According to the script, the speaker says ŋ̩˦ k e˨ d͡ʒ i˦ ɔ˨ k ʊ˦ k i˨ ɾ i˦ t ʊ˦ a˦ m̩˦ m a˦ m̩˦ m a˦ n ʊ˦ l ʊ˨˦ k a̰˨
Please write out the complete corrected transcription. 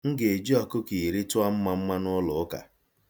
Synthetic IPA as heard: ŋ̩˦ ɡ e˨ d͡ʒ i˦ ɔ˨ k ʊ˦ k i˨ ɾ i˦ t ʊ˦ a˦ m̩˦ m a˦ m̩˦ m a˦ n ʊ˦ l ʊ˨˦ k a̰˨